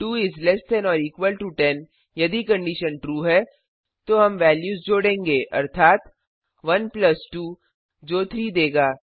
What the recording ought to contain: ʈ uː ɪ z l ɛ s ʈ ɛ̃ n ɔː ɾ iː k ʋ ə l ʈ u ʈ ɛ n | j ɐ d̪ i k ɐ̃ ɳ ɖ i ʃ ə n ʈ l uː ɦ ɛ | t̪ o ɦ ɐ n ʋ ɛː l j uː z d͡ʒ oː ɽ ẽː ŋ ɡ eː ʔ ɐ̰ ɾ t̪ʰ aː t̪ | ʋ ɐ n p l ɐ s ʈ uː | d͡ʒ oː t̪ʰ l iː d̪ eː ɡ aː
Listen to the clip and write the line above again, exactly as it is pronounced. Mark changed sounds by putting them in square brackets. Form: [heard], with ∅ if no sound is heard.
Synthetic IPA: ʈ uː ɪ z l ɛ s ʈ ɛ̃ n ɔː ɾ iː k ʋ ə l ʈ u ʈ ɛ n | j ɐ d̪ i k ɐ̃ ɳ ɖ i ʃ ə n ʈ [ɾ] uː ɦ ɛ | t̪ o ɦ ɐ [m] ʋ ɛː l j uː z d͡ʒ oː ɽ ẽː ŋ ɡ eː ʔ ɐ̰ ɾ t̪ʰ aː t̪ | ʋ ɐ n p l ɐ s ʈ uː | d͡ʒ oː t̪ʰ [ɾ] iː d̪ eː ɡ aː